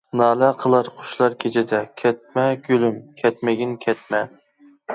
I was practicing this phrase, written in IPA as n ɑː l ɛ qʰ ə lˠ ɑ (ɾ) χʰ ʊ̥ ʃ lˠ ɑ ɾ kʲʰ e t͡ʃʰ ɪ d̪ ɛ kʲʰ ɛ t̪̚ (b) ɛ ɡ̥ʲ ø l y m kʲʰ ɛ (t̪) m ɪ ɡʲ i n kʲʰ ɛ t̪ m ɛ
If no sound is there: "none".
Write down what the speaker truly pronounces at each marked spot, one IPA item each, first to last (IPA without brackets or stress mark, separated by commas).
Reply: ɾ, m, t̪